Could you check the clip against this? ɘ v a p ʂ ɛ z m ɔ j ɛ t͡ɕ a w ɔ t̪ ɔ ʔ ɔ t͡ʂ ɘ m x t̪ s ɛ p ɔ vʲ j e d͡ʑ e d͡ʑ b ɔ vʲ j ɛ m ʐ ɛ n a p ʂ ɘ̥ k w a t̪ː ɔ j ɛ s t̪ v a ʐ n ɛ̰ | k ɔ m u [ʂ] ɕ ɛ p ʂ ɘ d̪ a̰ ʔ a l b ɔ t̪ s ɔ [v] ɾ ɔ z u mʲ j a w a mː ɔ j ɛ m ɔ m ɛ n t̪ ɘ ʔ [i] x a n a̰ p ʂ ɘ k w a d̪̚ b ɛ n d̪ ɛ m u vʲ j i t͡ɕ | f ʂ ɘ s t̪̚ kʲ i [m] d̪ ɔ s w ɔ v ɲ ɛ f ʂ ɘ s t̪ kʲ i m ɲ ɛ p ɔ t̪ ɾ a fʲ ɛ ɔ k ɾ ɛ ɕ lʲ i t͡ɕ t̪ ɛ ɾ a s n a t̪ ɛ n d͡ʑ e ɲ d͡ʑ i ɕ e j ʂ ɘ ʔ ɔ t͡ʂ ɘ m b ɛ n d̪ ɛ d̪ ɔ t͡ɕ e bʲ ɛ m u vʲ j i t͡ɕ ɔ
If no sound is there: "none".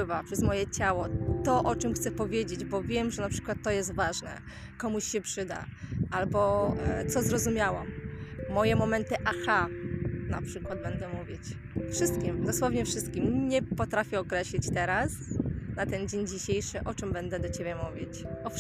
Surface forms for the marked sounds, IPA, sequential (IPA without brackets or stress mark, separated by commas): ɕ, z, a, m